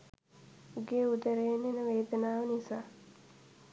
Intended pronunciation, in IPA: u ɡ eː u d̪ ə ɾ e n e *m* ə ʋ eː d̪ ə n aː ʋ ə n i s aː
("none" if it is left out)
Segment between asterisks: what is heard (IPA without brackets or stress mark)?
n